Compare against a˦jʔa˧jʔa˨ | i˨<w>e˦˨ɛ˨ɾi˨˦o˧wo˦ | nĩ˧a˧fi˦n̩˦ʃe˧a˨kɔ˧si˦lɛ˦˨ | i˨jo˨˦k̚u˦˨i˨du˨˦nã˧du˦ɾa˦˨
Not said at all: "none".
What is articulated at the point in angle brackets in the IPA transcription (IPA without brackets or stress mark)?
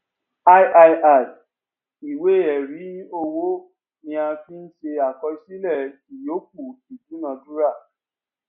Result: w